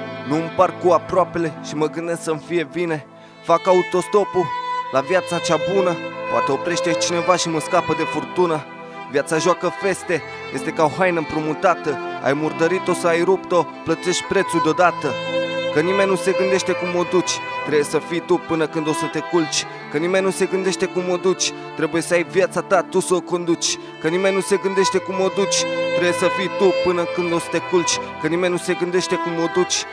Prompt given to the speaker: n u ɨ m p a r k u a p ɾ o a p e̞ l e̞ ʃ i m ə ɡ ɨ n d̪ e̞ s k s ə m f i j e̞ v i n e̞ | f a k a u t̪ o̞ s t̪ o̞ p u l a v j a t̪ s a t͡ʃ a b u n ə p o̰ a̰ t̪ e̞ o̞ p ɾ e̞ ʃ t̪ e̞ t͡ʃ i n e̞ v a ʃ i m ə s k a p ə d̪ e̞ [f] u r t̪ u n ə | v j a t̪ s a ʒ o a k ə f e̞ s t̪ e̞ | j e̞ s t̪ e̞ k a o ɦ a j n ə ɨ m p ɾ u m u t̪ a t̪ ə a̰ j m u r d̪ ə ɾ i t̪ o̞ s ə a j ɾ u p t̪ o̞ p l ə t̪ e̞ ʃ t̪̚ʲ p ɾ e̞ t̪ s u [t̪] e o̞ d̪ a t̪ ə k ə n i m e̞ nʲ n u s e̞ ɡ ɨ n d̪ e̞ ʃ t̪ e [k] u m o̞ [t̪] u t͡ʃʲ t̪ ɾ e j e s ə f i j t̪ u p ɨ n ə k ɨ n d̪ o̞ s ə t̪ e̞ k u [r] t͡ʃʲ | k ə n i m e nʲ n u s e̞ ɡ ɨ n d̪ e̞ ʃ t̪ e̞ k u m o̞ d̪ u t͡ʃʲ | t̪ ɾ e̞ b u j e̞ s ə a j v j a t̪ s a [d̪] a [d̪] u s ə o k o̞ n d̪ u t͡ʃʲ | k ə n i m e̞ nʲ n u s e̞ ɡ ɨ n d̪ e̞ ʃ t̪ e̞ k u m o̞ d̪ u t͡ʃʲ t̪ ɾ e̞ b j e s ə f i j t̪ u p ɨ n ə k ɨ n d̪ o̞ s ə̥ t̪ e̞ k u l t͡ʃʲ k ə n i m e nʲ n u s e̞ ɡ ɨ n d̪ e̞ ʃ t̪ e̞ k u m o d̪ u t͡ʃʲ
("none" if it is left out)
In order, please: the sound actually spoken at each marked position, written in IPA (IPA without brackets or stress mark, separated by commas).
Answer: f, d̪, k, d̪, l, t̪, t̪